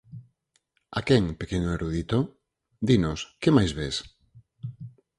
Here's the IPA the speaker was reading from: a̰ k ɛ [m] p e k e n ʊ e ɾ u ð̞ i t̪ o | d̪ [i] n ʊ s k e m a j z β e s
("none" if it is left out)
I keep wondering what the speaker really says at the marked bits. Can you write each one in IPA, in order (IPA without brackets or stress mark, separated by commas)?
ŋ, i